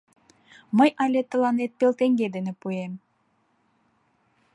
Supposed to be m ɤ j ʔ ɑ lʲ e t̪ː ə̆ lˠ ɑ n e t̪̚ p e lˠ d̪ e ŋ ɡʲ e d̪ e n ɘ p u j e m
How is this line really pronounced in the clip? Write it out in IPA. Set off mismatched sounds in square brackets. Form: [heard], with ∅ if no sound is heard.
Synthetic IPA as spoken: m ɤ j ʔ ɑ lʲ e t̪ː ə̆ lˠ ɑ n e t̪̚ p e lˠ [t̪] e ŋ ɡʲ e d̪ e n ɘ p u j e m